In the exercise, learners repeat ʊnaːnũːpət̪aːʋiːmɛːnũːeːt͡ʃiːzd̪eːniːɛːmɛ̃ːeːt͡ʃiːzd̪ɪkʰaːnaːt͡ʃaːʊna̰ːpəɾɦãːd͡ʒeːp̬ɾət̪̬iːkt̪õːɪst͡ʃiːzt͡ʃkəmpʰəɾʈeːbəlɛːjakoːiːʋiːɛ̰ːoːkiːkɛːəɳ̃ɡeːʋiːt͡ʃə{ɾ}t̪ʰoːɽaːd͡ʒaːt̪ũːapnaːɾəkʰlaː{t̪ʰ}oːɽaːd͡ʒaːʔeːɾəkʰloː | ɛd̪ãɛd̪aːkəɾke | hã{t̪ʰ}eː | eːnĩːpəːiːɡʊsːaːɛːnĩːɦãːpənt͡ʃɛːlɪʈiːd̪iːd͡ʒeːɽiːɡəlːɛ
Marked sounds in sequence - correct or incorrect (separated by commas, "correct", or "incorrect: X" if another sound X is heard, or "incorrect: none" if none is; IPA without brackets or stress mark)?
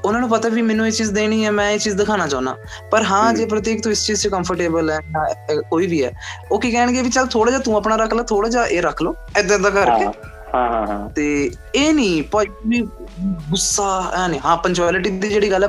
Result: incorrect: l, correct, incorrect: t̪